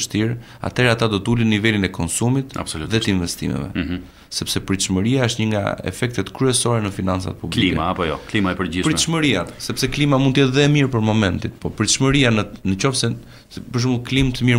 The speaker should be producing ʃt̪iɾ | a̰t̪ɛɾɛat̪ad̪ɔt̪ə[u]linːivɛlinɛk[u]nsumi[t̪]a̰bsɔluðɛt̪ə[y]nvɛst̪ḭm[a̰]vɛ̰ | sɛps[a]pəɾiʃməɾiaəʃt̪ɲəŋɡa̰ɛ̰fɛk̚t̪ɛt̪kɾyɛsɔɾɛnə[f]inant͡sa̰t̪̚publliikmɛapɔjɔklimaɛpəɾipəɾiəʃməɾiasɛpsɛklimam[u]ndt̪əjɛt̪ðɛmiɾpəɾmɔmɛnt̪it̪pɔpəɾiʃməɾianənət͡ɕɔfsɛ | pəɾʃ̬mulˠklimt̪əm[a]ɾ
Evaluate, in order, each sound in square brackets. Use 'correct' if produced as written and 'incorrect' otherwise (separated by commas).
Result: correct, incorrect, correct, incorrect, incorrect, incorrect, correct, correct, incorrect